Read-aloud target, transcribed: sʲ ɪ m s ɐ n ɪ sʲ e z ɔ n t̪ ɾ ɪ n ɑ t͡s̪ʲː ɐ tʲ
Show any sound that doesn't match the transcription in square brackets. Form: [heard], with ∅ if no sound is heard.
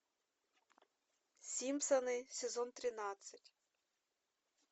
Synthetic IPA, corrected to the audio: sʲ [i] m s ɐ n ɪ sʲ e z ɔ n t̪ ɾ ɪ n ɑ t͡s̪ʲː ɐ tʲ